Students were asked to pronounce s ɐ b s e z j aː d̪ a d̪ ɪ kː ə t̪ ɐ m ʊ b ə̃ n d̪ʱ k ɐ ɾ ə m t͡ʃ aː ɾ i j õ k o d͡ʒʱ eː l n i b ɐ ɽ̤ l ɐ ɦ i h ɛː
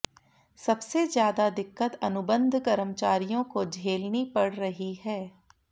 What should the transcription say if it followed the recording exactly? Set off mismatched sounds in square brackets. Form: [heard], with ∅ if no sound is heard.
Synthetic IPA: s ɐ b s e z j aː d̪ a d̪ ɪ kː ə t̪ ɐ [n] ʊ b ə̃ n d̪ʱ k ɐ ɾ ə m t͡ʃ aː ɾ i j õ k o d͡ʒʱ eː l n i [p] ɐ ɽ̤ [ɾ] ɐ ɦ i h ɛː

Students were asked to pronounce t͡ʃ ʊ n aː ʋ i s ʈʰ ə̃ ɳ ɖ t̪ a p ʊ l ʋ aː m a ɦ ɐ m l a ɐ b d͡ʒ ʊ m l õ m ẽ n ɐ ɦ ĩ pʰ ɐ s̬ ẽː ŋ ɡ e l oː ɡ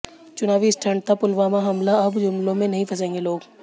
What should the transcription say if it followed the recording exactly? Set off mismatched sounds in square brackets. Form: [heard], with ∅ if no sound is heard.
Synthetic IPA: t͡ʃ ʊ n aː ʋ i s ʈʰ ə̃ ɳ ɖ t̪ a p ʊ l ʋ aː m a ɦ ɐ m l a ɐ b d͡ʒ ʊ m l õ m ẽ n ɐ ɦ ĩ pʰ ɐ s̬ ẽː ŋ ɡ e l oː ɡ

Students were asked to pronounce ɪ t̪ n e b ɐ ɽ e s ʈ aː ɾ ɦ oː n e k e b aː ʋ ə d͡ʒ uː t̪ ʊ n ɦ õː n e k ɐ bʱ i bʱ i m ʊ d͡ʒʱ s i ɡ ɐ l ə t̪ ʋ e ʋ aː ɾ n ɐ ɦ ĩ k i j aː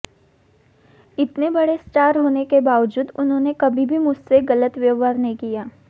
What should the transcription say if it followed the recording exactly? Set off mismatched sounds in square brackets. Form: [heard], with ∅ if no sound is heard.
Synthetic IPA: ɪ t̪ n e b ɐ ɽ e s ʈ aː ɾ ɦ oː n e k e b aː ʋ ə d͡ʒ uː [d̪] ʊ n ɦ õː n e k ɐ bʱ i bʱ i m ʊ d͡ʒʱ s [e] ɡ ɐ l ə t̪ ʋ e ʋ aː ɾ n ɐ ɦ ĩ k i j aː

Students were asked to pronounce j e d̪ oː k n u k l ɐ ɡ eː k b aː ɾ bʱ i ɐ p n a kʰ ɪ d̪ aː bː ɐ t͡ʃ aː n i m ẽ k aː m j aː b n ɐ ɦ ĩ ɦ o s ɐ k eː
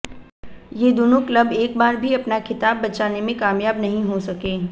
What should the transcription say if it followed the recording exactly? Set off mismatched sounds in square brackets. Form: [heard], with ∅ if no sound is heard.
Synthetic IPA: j e d̪ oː [∅] n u k l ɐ [b] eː k b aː ɾ bʱ i ɐ p n a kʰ ɪ [t̪] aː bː ɐ t͡ʃ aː n [e] m ẽ k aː m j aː b n ɐ ɦ ĩ ɦ o s ɐ k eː

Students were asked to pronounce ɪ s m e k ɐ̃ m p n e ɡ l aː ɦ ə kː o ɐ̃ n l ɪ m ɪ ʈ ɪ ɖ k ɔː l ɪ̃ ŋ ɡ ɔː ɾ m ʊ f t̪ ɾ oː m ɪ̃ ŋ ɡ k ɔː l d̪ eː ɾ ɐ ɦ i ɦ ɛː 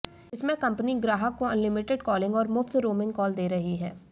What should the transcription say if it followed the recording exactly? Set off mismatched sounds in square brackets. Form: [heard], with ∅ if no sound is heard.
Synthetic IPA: ɪ s m [ẽ] k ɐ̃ m p n [i] ɡ [ɾ] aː ɦ ə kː o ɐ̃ n l ɪ m ɪ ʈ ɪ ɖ k ɔː l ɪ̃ ŋ ɡ ɔː ɾ m ʊ f t̪ ɾ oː m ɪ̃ ŋ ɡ k ɔː l d̪ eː ɾ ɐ ɦ i ɦ ɛː

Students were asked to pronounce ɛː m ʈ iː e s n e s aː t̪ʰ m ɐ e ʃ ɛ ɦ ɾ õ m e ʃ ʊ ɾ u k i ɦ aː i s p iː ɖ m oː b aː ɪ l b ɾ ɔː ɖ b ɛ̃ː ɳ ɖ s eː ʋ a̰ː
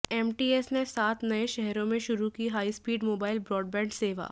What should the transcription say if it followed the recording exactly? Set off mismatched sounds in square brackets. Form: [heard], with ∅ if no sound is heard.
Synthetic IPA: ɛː m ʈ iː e s n e s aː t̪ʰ [n] ɐ e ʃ ɛ ɦ ɾ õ m [ẽ] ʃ ʊ ɾ u k i ɦ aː i s p iː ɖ m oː b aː ɪ l b ɾ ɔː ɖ b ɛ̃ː ɳ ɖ s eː ʋ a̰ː

